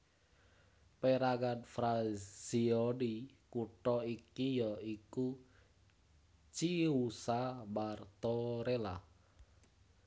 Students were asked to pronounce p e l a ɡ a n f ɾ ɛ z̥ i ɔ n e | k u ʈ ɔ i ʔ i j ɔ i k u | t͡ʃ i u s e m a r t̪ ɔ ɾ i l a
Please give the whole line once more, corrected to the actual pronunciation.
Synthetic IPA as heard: p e ɾ a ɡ a n f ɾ a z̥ i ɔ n i | k u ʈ ɔ i k i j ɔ i k u | t͡ʃ i u s a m a r t̪ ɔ ɾ e l a